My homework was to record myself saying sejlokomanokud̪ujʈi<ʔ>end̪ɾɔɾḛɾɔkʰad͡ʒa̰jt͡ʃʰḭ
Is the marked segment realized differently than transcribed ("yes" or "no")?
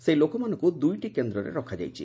yes